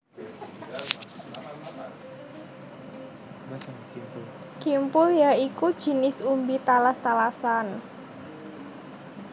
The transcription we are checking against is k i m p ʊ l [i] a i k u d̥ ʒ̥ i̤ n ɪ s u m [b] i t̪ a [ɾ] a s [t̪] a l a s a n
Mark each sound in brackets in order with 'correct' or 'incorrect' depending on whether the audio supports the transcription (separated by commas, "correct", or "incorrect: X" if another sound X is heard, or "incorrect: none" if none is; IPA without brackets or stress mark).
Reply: incorrect: j, correct, incorrect: l, correct